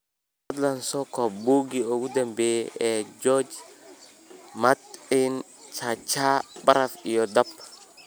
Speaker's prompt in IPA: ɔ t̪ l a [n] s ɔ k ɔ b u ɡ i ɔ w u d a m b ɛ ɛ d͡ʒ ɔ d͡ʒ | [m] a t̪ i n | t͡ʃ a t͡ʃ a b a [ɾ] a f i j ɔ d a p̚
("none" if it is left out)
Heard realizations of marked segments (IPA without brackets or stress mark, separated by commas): n, m, ɾ